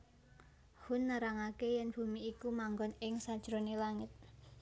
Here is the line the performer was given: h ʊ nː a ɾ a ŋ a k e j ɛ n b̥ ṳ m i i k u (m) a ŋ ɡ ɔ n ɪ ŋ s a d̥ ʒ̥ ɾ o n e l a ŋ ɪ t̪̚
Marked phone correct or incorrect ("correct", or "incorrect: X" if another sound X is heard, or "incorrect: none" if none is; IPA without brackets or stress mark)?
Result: correct